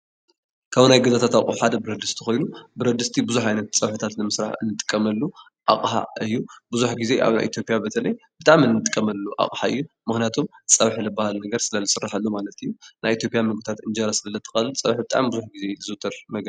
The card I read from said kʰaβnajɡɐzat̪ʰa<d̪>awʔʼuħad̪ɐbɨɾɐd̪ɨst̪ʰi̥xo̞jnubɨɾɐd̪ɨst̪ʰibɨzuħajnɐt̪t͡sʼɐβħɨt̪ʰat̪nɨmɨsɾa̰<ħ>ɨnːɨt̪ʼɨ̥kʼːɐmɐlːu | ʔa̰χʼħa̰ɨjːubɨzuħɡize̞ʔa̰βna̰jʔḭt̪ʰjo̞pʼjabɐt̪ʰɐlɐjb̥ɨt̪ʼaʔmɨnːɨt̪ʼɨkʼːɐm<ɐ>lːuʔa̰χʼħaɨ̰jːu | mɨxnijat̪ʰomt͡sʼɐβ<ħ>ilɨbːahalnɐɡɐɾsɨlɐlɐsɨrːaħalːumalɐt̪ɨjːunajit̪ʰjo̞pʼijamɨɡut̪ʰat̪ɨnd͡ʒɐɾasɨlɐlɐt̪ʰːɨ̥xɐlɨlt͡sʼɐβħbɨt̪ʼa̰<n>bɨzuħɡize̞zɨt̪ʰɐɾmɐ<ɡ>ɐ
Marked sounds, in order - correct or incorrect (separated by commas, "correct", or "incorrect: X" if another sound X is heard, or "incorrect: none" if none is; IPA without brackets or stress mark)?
incorrect: t̪, correct, correct, correct, incorrect: m, correct